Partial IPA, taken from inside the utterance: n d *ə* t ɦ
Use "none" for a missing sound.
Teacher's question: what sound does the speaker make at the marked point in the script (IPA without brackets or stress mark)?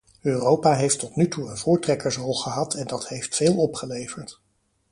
ɑ